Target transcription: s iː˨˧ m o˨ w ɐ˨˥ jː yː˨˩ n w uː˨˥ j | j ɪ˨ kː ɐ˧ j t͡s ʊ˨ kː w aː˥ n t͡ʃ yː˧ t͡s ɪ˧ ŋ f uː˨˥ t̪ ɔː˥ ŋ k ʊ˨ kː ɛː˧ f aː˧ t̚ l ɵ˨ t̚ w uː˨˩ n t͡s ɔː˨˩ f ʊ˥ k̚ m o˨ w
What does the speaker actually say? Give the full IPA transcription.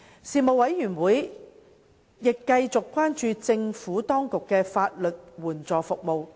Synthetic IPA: s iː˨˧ m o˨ w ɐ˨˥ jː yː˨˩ n w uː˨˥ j | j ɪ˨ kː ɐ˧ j t͡s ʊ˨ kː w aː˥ n t͡ʃ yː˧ t͡s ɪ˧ ŋ f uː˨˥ t̪ ɔː˥ ŋ k ʊ˨ kː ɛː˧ f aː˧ t̚ l ɵ˨ t̚ w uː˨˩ n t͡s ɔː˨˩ f ʊ˨ k̚ m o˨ w

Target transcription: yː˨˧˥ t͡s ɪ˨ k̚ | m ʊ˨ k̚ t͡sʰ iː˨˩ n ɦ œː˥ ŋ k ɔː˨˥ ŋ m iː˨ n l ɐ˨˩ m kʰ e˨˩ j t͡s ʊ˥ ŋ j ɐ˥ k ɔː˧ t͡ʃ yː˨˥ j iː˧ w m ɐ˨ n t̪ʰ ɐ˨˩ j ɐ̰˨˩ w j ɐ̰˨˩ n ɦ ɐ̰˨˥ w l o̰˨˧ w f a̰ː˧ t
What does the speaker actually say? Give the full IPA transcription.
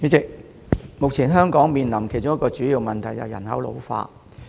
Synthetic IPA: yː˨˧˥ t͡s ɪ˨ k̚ | m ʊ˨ k̚ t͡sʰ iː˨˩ n ɦ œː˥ ŋ k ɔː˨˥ ŋ m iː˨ n l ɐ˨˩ m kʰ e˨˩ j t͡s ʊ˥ ŋ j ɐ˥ k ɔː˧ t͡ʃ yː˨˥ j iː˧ w m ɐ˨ n t̪ʰ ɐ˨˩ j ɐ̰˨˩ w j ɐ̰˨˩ n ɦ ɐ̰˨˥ w l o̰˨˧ w f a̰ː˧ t

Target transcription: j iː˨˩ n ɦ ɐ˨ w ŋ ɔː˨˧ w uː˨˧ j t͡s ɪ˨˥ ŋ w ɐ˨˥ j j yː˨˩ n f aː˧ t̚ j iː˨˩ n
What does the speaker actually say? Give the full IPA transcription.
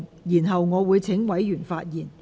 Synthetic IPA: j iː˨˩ n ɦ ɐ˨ w ŋ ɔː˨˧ w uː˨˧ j t͡sʰ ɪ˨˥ ŋ w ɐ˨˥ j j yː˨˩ n f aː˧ t̚ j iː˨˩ n

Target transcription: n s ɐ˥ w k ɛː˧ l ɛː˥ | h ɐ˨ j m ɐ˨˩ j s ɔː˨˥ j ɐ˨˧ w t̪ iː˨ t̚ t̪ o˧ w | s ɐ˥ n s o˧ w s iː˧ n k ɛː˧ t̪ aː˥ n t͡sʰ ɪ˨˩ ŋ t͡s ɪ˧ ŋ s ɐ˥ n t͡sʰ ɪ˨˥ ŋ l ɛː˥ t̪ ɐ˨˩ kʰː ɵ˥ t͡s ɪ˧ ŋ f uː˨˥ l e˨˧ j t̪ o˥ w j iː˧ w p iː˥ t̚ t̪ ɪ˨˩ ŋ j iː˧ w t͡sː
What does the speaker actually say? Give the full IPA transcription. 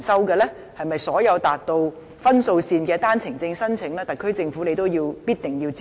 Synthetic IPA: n s ɐ˥ w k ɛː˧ l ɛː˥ | h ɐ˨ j m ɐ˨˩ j s ɔː˨˥ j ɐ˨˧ w t̪ aː˨ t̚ t̪ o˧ w | f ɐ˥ n s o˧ w s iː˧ n k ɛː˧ t̪ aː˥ n t͡sʰ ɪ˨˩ ŋ t͡s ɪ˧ ŋ s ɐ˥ n t͡sʰ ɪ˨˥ ŋ l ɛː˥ t̪ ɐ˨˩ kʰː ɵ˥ t͡s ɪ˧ ŋ f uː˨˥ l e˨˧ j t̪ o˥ w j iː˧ w p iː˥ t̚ t̪ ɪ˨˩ ŋ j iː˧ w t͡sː

